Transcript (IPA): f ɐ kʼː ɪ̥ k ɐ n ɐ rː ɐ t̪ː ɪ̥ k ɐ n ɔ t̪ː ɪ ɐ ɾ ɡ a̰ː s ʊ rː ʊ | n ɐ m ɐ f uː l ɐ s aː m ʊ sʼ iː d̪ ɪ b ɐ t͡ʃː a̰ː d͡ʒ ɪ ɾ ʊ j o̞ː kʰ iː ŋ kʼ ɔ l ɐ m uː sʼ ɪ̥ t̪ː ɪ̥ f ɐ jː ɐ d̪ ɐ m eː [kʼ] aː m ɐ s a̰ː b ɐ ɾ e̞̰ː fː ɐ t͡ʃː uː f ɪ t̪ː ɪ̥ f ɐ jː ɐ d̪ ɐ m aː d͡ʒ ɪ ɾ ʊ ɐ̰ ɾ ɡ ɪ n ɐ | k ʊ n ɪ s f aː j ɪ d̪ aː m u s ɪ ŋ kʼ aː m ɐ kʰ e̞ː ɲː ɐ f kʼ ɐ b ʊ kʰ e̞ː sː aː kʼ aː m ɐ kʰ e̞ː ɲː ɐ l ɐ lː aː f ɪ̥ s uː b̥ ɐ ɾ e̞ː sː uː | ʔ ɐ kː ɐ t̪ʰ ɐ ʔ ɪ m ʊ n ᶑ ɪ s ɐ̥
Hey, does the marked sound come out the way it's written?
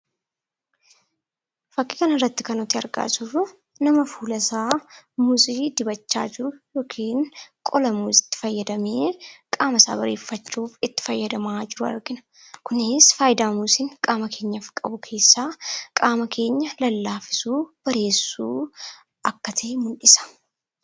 yes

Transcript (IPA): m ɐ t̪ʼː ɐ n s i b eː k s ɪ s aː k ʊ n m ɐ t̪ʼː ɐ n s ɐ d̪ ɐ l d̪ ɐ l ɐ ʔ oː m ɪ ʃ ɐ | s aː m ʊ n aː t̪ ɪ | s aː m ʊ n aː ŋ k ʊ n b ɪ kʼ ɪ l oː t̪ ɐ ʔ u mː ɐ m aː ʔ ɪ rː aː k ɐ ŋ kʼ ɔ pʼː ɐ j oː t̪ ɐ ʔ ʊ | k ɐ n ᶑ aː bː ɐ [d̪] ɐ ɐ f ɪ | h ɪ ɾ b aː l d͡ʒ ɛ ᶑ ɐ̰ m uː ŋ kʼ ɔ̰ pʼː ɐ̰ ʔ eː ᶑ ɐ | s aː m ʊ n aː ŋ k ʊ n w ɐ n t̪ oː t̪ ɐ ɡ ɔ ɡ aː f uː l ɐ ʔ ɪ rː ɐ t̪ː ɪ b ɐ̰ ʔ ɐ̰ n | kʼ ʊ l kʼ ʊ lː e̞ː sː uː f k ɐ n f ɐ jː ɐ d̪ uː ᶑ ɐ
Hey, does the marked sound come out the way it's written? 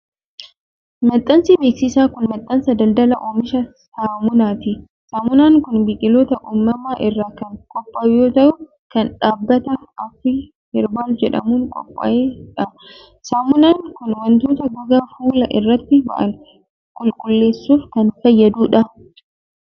no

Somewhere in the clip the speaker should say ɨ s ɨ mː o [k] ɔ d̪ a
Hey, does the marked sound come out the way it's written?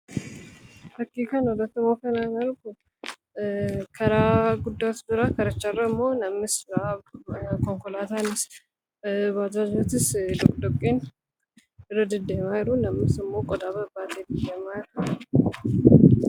no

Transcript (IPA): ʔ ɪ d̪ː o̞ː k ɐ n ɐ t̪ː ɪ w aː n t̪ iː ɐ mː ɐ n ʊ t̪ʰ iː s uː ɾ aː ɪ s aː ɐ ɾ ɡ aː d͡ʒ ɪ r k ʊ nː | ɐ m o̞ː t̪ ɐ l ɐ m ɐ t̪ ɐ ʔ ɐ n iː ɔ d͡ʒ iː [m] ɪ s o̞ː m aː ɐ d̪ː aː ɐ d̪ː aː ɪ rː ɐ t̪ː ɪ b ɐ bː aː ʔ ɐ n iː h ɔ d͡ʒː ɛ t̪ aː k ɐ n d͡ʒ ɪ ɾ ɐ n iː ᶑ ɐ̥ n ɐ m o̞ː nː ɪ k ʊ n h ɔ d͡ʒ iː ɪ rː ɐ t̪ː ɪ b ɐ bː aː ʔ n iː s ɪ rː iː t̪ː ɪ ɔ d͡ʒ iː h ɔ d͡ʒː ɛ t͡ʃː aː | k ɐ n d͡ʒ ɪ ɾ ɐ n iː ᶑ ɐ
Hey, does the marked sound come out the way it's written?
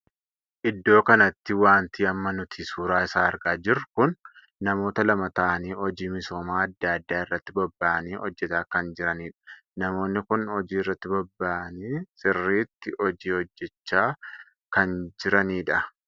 yes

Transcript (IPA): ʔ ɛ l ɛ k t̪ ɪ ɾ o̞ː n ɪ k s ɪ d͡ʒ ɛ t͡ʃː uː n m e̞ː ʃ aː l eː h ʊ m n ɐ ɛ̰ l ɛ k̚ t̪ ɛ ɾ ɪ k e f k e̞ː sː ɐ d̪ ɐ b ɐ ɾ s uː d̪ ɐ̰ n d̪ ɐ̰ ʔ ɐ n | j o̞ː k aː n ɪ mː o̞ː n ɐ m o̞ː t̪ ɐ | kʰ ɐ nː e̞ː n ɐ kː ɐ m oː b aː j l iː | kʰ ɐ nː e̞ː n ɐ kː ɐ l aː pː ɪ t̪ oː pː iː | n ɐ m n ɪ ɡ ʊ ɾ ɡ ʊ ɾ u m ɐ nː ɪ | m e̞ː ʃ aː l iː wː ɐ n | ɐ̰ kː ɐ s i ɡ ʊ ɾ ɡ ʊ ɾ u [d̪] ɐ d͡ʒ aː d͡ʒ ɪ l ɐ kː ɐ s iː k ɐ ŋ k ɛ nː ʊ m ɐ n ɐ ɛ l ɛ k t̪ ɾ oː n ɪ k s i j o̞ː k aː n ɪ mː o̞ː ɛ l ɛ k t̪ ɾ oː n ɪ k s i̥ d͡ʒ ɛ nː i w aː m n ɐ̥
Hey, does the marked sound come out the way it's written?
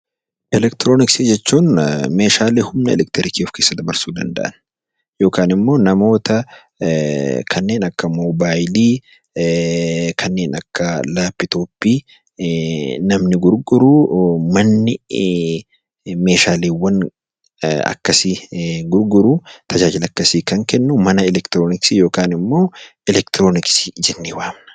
no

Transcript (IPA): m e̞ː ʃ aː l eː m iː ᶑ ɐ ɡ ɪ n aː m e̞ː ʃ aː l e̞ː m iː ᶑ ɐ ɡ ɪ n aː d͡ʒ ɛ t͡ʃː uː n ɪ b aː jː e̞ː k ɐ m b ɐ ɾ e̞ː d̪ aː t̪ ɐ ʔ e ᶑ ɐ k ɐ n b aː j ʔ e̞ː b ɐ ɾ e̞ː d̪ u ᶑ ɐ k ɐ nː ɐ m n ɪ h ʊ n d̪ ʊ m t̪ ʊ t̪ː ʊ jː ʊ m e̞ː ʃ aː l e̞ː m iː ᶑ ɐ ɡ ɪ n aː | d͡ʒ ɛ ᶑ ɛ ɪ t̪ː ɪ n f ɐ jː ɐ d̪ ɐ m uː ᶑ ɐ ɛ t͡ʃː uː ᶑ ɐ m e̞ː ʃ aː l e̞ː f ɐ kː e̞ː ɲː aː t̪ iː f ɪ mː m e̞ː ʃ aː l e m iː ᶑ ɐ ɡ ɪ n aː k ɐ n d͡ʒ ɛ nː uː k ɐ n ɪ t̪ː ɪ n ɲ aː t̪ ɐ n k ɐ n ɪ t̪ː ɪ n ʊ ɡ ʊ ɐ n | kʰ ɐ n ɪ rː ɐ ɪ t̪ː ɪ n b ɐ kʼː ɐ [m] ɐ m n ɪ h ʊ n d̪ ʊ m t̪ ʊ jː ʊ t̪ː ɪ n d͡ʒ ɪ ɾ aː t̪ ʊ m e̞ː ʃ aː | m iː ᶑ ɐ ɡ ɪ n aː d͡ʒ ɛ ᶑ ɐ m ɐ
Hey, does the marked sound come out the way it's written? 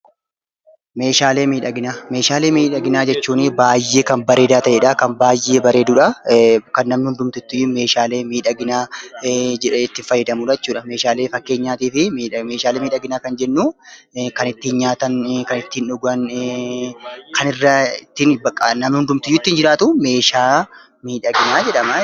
no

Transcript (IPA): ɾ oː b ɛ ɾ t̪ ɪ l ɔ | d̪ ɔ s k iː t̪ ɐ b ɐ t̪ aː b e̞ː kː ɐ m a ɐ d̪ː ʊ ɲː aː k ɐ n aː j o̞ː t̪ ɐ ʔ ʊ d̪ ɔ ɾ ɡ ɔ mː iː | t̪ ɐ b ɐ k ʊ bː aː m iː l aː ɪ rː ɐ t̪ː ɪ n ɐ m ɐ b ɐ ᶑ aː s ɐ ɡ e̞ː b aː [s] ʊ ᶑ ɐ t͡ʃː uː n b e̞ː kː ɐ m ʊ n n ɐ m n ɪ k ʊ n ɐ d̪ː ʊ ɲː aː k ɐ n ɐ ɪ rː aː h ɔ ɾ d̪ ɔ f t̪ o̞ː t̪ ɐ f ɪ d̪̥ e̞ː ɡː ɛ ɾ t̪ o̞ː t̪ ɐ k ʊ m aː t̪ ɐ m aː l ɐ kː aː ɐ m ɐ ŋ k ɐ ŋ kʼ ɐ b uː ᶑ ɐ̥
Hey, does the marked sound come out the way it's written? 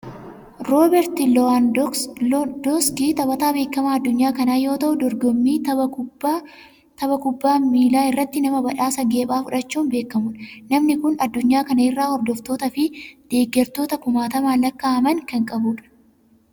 no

